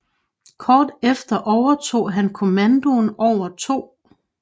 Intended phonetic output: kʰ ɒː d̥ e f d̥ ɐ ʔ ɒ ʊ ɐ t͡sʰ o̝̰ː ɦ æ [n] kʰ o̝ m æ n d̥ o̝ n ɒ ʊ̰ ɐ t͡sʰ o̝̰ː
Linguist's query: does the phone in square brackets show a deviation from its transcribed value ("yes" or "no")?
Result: no